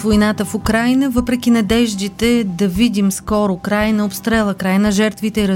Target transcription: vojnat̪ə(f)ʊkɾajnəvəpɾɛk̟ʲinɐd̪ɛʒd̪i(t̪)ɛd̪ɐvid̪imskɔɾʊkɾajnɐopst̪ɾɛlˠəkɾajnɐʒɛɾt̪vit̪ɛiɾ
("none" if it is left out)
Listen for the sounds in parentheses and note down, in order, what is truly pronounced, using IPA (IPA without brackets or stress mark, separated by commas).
f, t̪